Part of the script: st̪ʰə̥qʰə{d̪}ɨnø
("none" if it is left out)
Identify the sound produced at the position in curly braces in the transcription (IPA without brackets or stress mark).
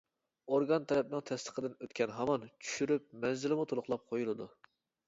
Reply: d̪